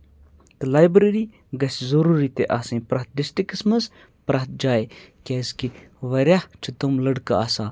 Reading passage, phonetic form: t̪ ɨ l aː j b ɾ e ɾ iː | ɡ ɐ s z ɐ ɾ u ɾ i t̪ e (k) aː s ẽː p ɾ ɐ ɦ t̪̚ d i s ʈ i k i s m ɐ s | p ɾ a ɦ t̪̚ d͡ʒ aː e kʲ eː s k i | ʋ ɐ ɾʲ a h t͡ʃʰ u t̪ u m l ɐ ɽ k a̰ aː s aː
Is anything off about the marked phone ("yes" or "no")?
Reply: yes